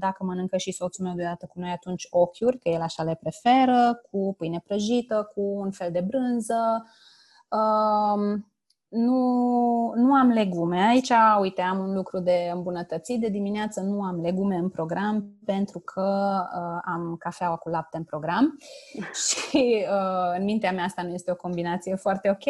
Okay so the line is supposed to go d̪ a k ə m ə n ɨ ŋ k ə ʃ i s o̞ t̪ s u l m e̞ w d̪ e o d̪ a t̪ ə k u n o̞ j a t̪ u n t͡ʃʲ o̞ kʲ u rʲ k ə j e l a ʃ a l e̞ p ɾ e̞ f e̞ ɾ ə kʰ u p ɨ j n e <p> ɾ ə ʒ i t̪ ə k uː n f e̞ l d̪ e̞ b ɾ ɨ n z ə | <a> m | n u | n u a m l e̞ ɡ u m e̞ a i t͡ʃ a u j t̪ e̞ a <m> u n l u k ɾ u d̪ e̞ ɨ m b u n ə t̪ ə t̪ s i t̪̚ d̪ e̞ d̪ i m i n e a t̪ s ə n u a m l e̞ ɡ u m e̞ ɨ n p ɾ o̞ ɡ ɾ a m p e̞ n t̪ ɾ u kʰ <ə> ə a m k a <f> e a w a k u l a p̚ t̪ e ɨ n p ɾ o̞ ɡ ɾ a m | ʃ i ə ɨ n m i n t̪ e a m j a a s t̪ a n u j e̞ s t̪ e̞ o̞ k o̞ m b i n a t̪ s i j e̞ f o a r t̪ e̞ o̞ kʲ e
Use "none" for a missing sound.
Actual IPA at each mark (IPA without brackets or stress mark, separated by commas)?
p, ə, m, ə, f